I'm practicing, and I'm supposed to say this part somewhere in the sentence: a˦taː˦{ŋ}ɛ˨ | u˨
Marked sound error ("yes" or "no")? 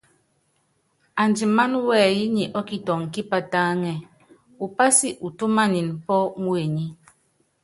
no